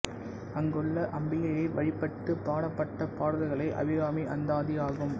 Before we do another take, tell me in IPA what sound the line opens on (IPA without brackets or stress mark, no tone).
ɐ